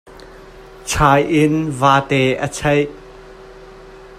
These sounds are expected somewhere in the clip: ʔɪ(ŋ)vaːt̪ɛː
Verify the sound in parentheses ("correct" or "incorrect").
incorrect